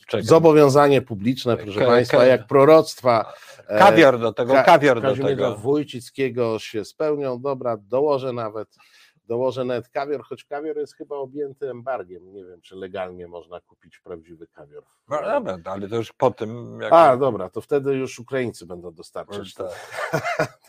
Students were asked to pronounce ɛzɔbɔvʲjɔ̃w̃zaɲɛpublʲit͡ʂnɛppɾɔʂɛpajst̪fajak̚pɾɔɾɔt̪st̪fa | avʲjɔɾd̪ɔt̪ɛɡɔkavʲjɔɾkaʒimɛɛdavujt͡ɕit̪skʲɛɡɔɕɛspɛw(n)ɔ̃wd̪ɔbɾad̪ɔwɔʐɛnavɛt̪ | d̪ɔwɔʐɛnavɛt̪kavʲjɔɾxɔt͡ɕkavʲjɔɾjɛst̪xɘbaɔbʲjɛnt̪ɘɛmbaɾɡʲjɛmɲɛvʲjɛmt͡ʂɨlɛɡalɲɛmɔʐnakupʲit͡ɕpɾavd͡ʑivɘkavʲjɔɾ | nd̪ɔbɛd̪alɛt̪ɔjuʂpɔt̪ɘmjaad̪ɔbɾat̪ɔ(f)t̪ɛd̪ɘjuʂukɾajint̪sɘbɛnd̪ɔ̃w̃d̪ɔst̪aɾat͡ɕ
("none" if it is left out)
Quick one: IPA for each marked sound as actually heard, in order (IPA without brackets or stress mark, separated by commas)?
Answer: ɲ, f